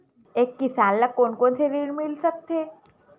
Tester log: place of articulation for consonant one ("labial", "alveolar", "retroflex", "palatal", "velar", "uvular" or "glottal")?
velar